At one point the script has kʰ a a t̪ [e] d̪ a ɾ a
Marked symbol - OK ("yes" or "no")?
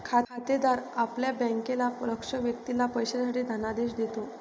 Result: yes